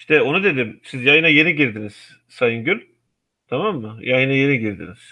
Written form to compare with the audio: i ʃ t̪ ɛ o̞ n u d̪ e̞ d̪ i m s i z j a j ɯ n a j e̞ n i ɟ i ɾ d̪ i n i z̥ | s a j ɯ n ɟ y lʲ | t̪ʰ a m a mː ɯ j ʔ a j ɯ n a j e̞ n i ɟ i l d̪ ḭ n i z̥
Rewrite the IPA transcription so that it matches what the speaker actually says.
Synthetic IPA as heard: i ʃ t̪ ɛ o̞ n u d̪ e̞ d̪ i m s i z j a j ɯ n a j e̞ n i ɟ i ɾ d̪ i n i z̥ | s a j ɯ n ɟ y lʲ | t̪ʰ a m a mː ɯ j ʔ a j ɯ n a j e̞ n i ɟ i ɾ d̪ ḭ n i z̥